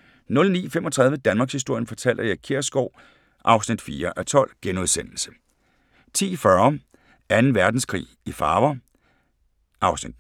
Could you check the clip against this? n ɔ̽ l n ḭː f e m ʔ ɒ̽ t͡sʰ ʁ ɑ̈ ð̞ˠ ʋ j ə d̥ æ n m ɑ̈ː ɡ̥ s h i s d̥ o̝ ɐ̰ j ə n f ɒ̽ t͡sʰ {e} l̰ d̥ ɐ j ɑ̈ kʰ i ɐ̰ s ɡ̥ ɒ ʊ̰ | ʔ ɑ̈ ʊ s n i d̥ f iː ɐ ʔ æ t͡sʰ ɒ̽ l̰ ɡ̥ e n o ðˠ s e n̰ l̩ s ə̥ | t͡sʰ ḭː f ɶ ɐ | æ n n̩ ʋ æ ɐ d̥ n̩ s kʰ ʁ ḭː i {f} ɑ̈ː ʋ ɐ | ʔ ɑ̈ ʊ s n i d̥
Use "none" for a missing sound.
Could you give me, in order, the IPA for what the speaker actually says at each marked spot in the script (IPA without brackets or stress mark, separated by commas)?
æ, f